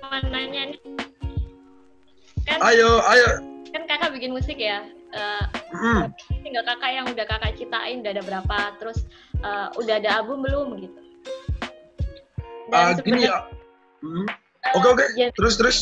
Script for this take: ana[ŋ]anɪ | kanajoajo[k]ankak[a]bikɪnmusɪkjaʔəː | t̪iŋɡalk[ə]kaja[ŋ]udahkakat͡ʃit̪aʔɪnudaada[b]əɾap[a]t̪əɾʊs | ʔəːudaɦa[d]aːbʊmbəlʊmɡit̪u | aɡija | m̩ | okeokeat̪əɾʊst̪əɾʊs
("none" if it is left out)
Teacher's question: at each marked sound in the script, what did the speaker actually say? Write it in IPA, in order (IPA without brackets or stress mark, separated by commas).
ɲ, k, a, a, ŋ, b, a, d